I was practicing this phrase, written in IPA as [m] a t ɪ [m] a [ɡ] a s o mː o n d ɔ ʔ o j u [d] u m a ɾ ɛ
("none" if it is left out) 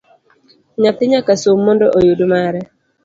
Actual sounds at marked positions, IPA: ɲ, ɲ, k, d

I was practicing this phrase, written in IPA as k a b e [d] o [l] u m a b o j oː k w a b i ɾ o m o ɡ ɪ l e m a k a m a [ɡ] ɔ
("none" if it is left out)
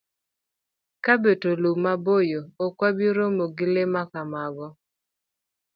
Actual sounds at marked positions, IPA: t, l, ɡ

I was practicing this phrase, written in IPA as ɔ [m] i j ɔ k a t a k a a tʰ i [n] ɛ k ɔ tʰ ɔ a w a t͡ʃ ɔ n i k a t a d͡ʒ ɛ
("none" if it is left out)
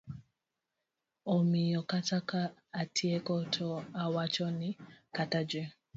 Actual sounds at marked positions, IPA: m, none

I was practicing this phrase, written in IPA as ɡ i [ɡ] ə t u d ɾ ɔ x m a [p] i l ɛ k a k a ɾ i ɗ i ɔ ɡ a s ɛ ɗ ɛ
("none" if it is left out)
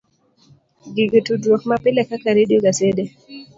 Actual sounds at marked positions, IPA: ɡ, p

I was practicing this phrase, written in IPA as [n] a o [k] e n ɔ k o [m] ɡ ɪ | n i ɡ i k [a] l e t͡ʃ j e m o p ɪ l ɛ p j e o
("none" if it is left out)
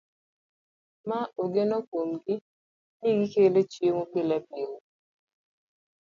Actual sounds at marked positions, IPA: m, ɡ, m, e

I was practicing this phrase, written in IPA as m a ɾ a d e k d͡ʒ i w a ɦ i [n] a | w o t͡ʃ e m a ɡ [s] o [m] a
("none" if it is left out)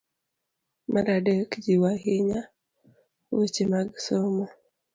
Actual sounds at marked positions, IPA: ɲ, s, m

